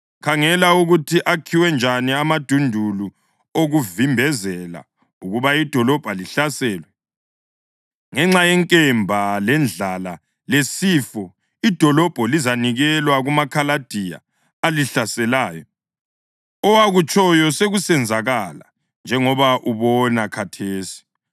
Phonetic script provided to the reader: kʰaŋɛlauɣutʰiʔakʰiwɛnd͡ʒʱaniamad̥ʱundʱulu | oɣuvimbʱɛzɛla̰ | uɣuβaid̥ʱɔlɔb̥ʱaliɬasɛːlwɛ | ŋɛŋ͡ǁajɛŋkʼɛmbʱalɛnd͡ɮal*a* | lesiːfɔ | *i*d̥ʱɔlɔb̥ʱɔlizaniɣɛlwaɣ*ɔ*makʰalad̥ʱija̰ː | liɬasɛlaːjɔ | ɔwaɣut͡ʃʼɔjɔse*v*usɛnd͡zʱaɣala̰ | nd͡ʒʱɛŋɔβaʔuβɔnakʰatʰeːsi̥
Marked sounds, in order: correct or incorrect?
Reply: correct, correct, incorrect: u, incorrect: ɣ

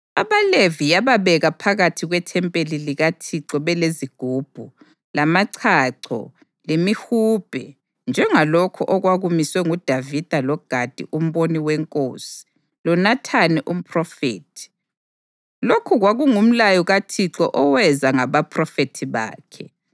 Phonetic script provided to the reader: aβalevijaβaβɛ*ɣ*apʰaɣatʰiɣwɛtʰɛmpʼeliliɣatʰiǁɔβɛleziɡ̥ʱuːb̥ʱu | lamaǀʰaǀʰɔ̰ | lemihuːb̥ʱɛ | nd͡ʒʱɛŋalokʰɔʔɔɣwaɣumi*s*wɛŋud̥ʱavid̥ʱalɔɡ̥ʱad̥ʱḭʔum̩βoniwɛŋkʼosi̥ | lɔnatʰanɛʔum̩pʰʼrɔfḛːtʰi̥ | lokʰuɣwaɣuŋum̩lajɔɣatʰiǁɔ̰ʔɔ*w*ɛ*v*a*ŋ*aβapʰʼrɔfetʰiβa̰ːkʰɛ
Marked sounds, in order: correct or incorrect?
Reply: correct, correct, correct, incorrect: z, correct

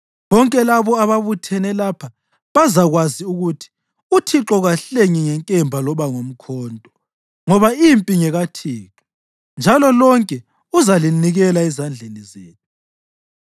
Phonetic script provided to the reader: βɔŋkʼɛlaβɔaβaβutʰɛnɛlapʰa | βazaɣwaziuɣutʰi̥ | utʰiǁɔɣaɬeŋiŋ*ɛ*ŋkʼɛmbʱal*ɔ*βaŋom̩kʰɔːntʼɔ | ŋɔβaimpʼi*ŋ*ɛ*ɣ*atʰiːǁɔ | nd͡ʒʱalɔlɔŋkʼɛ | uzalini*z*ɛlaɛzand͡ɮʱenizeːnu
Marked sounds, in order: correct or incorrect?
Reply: correct, correct, correct, correct, incorrect: ɣ

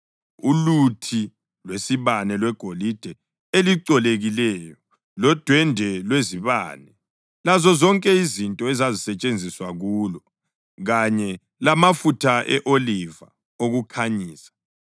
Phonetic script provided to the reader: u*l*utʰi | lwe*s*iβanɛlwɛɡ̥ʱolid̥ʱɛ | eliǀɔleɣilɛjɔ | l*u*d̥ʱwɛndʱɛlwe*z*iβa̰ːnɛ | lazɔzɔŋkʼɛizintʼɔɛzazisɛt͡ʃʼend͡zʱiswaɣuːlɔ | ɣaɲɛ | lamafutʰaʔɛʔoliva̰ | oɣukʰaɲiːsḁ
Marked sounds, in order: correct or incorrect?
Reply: correct, correct, incorrect: ɔ, correct

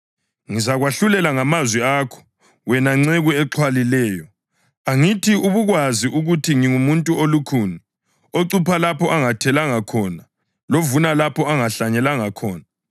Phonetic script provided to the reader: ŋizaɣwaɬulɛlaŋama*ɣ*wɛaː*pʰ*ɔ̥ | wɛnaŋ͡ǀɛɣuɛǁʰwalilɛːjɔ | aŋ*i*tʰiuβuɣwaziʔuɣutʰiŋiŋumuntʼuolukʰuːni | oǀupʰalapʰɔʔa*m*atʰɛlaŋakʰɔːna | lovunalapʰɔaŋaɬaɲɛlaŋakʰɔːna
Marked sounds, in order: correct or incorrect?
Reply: incorrect: z, incorrect: kʰ, correct, incorrect: ŋ

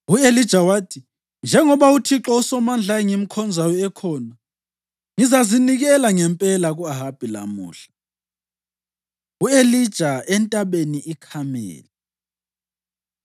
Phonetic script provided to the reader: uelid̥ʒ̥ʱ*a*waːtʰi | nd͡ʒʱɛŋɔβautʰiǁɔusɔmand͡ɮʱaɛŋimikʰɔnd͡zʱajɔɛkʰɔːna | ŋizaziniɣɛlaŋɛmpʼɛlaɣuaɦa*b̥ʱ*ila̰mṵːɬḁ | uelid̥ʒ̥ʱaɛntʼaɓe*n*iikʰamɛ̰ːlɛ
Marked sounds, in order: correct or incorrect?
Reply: correct, correct, correct

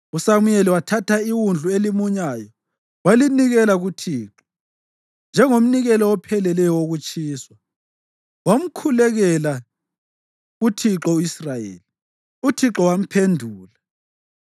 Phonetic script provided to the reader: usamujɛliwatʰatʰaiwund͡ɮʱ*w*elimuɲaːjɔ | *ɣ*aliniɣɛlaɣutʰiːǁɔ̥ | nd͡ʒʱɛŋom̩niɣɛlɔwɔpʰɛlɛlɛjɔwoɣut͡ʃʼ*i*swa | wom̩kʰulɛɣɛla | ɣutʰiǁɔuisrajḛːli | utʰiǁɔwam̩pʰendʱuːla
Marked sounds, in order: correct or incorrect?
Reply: incorrect: u, incorrect: w, incorrect: iː

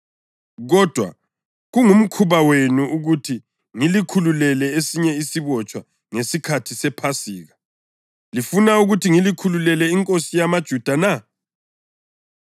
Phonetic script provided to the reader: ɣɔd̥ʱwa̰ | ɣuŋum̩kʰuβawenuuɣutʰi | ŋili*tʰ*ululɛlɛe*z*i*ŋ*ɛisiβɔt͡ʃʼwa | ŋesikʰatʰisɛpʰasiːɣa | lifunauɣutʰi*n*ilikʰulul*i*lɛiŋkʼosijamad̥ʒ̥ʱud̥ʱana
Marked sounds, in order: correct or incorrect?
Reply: incorrect: kʰ, incorrect: s, incorrect: ɲ, incorrect: ŋ, incorrect: ɛ

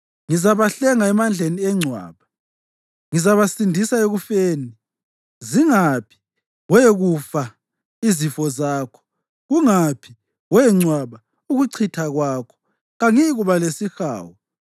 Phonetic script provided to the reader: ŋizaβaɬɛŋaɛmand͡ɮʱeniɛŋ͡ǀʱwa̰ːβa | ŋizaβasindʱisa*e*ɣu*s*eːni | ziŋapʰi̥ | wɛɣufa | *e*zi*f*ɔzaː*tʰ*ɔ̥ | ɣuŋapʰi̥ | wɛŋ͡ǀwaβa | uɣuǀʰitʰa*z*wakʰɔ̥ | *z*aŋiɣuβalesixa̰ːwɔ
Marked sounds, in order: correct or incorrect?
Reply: correct, incorrect: f, incorrect: i, correct, incorrect: kʰ, incorrect: ɣ, incorrect: ɣ

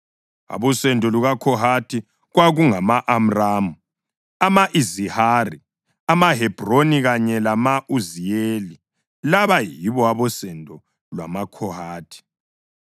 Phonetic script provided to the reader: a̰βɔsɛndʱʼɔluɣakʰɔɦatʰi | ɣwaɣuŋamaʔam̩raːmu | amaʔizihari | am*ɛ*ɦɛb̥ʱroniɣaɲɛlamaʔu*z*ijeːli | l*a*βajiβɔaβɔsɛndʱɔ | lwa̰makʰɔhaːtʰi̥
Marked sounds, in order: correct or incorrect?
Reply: incorrect: a, correct, correct

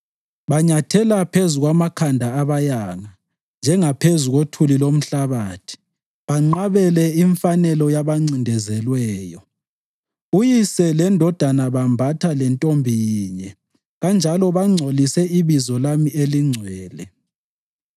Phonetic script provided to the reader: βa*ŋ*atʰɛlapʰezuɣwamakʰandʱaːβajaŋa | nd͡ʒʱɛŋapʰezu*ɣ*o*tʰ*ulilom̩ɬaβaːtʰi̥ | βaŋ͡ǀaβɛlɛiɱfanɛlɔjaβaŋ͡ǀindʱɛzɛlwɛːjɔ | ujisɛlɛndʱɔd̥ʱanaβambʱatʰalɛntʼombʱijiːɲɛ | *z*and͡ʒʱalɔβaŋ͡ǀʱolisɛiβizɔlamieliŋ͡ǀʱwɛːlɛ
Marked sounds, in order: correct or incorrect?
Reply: incorrect: ɲ, correct, correct, incorrect: ɣ

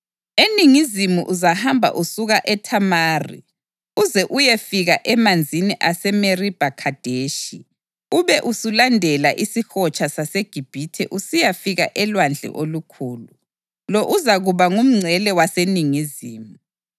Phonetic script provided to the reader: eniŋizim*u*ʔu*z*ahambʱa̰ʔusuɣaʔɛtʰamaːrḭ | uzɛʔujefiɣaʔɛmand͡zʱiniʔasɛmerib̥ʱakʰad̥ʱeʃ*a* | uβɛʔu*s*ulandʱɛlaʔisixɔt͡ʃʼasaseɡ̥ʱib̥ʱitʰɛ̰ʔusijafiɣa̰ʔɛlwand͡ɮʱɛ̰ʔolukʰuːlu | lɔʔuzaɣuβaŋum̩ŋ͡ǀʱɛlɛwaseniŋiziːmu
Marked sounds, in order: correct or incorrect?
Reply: correct, correct, incorrect: i, correct

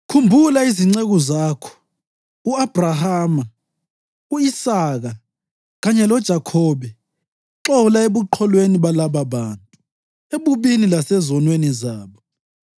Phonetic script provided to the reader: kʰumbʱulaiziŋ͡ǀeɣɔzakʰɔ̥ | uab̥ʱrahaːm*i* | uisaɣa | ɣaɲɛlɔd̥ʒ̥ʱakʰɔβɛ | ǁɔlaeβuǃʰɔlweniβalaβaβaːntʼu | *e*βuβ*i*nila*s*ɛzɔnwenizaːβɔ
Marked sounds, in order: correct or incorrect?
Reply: incorrect: a, correct, correct, correct

